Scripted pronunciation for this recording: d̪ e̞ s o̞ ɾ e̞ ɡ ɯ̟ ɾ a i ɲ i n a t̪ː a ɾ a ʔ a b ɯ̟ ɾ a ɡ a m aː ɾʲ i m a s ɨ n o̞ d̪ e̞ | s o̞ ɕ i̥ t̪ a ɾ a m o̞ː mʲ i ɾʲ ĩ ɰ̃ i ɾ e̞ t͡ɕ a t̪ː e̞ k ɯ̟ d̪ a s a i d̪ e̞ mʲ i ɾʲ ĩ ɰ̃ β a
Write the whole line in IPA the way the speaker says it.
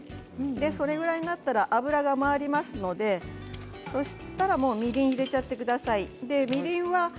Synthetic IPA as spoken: d̪ e̞ s o̞ ɾ e̞ ɡ ɯ̟ ɾ a i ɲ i n a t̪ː a ɾ a ʔ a b ɯ̟ ɾ a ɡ a m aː ɾʲ i m a s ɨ n o̞ d̪ e̞ | s o̞ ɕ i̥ t̪ a ɾ a m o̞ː mʲ i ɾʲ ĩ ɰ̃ i ɾ e̞ t͡ɕ a t̪ː e̞ k ɯ̟ d̪ a s a i d̪ e̞ mʲ i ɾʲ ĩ ɰ̃ β a